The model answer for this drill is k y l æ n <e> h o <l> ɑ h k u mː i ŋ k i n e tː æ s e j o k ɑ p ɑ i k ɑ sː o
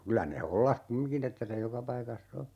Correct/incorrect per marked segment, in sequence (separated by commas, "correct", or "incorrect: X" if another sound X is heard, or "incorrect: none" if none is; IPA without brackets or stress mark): correct, incorrect: lː